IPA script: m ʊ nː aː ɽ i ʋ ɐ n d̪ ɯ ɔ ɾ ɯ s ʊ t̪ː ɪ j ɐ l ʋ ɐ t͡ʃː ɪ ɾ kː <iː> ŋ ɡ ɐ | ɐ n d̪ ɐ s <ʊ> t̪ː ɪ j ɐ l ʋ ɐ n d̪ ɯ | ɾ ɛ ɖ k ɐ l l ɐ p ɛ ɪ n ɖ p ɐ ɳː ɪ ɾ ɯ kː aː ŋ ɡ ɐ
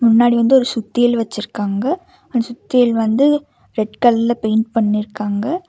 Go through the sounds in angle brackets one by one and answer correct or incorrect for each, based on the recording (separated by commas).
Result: incorrect, correct